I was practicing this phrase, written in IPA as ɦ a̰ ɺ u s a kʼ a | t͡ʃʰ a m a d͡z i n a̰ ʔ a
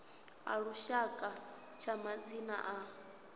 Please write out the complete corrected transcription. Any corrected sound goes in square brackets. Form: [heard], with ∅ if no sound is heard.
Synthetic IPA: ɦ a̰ ɺ u [ʃ] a kʼ a | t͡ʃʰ a m a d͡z i n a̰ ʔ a